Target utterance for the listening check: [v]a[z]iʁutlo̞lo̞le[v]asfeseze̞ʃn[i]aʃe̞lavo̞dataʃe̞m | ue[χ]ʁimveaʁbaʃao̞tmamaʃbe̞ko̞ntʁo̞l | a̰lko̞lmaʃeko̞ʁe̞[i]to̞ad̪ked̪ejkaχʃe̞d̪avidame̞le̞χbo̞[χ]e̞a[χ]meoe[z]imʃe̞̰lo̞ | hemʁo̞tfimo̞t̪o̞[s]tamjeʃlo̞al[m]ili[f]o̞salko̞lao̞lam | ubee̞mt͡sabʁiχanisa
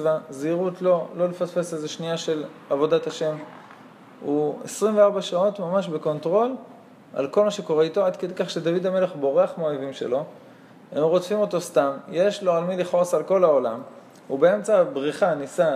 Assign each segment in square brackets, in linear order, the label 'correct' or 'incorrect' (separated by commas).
correct, correct, incorrect, correct, incorrect, correct, incorrect, correct, incorrect, correct, correct, incorrect